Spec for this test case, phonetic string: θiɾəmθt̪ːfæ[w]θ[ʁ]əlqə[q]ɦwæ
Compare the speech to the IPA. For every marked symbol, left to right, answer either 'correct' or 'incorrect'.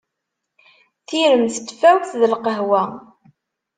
correct, incorrect: ð, incorrect: none

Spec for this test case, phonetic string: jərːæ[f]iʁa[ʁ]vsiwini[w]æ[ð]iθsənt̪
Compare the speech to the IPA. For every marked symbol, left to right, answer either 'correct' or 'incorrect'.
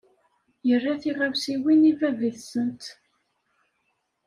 incorrect: θ, incorrect: none, incorrect: v, incorrect: v

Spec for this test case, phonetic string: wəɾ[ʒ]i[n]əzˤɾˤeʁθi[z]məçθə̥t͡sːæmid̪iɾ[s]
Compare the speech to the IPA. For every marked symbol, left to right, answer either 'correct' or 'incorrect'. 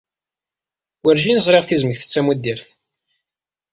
correct, correct, correct, incorrect: θ

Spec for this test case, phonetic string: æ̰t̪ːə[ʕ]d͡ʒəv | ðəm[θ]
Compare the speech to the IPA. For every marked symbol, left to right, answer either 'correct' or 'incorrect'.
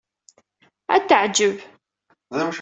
correct, incorrect: ʃ

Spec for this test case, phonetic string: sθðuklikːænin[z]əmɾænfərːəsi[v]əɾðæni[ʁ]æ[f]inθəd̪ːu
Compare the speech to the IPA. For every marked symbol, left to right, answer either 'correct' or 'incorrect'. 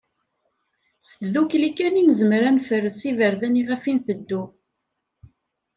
correct, correct, correct, correct

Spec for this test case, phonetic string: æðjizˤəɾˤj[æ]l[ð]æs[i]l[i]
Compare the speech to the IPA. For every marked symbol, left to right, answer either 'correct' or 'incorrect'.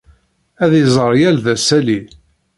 correct, correct, incorrect: æ, correct

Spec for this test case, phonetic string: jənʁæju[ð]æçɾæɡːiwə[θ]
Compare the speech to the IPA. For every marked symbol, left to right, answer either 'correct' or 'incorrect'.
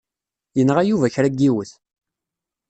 incorrect: v, correct

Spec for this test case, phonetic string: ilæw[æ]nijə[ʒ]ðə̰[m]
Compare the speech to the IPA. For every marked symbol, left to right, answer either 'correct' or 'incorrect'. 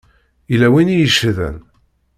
incorrect: i, incorrect: ʃ, incorrect: n

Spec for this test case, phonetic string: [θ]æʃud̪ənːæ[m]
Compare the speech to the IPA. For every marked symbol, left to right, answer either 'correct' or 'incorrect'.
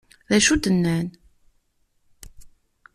incorrect: ð, incorrect: n

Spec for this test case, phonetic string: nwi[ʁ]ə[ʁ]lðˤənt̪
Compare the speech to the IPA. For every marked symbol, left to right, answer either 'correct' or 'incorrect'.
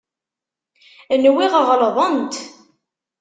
correct, correct

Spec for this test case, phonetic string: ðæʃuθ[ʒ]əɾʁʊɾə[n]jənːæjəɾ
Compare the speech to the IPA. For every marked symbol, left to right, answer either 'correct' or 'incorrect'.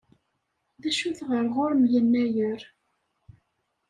incorrect: ʁ, incorrect: m

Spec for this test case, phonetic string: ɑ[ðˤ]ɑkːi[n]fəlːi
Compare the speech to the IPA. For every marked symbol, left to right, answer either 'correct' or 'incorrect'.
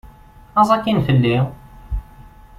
incorrect: zˤ, correct

